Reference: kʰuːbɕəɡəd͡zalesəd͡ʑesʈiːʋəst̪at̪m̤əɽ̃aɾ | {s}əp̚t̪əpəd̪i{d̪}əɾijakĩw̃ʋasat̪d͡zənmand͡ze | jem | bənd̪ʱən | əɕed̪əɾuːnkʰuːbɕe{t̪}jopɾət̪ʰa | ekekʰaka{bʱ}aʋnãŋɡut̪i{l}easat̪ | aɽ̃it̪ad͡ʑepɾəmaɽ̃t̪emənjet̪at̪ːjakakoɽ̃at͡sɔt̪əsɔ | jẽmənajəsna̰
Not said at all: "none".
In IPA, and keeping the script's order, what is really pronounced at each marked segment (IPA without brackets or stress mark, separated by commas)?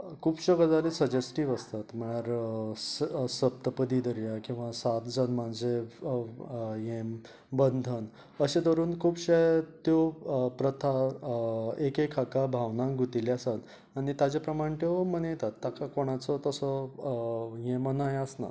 s, d̪, t̪, bʱ, l